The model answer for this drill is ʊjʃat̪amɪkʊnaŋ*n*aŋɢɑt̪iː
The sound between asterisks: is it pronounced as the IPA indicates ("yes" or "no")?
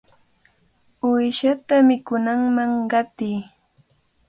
no